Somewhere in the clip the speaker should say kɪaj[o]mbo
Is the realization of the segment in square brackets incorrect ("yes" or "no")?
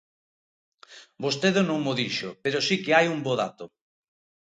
yes